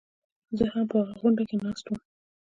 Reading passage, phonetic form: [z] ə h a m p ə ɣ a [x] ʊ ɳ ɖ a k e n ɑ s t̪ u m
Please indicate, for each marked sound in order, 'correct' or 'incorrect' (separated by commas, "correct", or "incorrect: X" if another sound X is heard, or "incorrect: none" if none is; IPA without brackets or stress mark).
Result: correct, incorrect: ɣ